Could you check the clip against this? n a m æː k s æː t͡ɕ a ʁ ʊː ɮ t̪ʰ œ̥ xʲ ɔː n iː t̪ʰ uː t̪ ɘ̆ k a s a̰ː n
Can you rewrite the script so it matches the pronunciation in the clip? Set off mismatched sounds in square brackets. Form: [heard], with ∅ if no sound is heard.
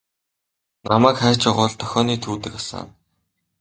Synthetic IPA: n a m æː k [χ] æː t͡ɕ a ʁ ʊː ɮ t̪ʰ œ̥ xʲ ɔː n iː t̪ʰ uː t̪ ɘ̆ k a s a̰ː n